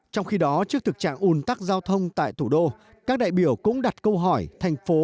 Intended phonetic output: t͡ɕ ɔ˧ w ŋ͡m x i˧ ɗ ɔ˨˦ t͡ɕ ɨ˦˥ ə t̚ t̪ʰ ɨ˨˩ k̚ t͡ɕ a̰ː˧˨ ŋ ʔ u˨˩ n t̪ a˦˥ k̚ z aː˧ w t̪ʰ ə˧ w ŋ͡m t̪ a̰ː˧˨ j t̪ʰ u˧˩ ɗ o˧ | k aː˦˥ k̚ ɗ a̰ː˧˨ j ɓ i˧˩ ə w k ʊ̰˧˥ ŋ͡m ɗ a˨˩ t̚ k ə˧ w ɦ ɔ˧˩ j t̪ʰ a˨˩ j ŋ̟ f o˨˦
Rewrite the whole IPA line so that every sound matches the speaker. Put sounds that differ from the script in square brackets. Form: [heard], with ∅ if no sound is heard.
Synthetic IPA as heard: t͡ɕ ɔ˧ w ŋ͡m x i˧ ɗ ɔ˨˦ t͡ɕ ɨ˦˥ ə [k̚] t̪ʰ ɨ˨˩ k̚ t͡ɕ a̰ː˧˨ ŋ ʔ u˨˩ n t̪ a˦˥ k̚ z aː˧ w t̪ʰ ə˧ w ŋ͡m t̪ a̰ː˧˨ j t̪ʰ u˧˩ ɗ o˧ | k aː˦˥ k̚ ɗ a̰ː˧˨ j ɓ i˧˩ ə w k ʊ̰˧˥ ŋ͡m ɗ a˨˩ t̚ k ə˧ w ɦ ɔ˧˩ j t̪ʰ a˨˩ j ŋ̟ f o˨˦